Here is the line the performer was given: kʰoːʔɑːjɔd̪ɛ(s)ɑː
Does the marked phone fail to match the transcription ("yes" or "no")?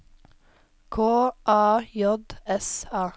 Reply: no